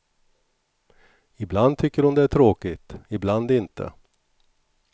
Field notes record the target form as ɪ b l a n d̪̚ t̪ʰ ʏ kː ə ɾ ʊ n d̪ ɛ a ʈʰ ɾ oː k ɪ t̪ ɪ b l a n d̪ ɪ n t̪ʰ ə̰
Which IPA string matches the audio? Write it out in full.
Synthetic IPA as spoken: ɪ b l a n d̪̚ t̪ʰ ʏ kː ə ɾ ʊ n d̪ ɛ æ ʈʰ ɾ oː k ɪ t̪ ɪ b l a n d̪ ɪ n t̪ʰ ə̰